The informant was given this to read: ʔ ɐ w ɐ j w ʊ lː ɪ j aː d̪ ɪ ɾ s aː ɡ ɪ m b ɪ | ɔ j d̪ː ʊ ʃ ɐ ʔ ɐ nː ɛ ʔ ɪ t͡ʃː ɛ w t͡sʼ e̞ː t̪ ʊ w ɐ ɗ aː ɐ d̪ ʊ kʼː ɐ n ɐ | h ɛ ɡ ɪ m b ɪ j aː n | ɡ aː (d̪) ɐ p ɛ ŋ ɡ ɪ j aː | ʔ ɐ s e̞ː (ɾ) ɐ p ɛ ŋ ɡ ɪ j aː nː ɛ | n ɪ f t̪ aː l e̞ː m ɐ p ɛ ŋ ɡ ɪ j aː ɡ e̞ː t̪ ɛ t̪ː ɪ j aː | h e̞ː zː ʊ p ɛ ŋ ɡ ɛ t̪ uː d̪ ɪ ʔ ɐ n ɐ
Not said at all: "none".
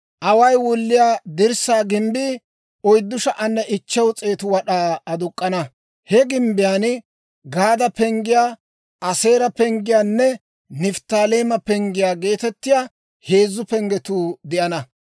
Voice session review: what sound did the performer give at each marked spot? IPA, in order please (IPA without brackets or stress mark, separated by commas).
d̪, ɾ